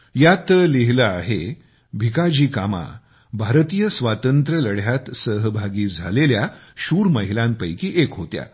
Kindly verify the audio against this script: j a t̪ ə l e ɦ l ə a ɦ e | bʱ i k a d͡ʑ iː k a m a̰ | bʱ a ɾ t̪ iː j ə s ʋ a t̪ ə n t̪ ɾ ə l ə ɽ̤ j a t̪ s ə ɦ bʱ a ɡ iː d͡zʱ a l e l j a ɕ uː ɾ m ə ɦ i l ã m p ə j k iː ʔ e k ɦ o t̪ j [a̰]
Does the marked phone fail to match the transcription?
no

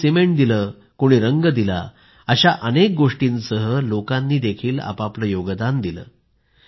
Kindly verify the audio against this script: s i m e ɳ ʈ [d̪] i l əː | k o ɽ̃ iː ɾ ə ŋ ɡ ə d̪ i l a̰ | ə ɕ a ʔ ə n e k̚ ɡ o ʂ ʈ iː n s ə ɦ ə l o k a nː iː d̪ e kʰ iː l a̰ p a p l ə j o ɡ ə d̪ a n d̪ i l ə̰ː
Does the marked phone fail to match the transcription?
no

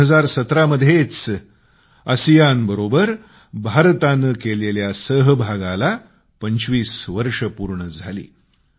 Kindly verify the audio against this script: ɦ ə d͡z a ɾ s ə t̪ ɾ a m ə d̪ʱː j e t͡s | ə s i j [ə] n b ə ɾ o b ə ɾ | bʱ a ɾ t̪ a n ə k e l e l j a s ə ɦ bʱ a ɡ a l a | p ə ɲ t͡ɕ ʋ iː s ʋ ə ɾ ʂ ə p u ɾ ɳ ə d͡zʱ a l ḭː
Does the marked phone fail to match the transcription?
yes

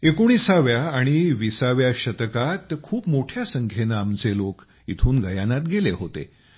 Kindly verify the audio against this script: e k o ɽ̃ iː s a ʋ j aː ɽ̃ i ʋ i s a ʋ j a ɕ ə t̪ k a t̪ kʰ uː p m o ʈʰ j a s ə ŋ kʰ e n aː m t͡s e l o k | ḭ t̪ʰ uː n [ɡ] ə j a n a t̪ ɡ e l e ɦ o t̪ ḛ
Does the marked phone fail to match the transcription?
no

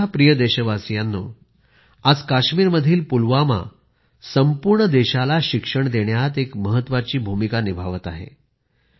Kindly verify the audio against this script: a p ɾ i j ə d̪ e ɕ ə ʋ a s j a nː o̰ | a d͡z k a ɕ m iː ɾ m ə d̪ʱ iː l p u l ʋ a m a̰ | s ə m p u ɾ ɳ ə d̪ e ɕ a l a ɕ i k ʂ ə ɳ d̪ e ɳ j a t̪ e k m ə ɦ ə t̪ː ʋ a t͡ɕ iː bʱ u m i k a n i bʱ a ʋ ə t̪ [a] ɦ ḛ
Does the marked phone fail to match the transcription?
no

